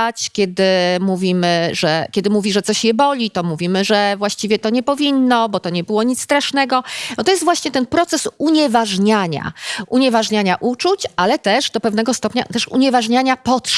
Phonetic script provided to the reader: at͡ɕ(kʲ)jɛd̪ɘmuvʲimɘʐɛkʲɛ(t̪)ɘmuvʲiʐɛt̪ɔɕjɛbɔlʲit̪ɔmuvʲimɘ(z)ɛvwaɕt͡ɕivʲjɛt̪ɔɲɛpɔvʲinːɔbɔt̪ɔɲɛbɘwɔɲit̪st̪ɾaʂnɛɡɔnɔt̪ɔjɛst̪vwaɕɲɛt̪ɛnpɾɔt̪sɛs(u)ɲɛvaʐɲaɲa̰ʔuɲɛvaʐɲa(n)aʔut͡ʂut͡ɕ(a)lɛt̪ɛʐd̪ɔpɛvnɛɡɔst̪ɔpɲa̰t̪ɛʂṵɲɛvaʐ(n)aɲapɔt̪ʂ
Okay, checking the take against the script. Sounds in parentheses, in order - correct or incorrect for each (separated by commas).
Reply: correct, incorrect, incorrect, correct, incorrect, correct, incorrect